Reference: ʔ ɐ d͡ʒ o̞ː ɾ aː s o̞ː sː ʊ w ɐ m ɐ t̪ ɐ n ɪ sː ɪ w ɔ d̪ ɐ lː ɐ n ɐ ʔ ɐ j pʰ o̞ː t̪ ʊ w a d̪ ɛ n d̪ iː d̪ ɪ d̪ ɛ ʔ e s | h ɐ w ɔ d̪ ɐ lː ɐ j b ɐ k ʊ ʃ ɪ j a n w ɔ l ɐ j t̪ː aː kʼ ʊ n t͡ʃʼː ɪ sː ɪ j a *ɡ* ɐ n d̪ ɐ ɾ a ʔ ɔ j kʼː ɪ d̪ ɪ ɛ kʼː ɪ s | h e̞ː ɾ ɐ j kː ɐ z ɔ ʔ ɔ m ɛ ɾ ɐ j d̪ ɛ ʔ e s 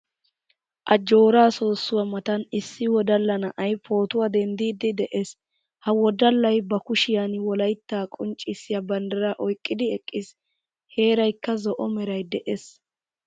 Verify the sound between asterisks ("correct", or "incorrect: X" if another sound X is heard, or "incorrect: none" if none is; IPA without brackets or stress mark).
incorrect: b